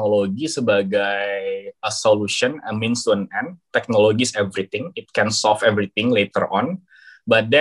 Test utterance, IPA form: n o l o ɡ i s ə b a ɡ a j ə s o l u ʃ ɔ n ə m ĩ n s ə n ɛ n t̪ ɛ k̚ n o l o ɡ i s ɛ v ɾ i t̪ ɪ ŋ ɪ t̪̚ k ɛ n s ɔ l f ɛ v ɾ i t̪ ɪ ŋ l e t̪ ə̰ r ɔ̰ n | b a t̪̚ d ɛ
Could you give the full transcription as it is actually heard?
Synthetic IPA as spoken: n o l o ɡ i s ə b a ɡ a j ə s o l u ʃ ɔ n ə m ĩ n s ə n ɛ n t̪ ɛ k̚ n o l o ɡ i s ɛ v ɾ i t̪ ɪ ŋ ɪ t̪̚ k ɛ n s ɔ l f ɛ v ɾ i t̪ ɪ ŋ l e t̪ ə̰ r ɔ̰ n | b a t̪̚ d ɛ